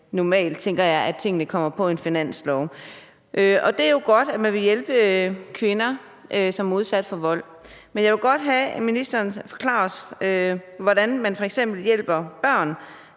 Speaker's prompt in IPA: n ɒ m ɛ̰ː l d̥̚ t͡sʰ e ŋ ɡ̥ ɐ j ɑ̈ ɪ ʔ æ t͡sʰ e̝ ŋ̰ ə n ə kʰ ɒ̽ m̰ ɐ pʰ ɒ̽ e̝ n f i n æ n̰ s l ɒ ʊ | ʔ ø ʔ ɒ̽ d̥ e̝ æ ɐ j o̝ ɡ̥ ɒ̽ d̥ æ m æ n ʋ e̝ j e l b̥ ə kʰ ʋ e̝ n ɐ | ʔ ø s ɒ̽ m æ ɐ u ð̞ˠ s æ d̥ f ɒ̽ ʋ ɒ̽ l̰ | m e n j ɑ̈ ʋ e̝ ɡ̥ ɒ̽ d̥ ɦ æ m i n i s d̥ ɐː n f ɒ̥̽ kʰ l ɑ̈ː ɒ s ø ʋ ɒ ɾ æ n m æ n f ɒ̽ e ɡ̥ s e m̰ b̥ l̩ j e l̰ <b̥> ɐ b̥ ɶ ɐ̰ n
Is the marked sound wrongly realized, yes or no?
no